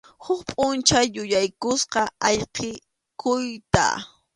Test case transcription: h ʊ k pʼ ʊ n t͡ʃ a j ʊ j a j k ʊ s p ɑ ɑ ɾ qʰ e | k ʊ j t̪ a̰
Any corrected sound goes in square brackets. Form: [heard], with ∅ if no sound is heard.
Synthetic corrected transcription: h ʊ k pʼ ʊ n t͡ʃ a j ʊ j a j k ʊ s [q] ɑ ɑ [ʎ] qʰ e | k ʊ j t̪ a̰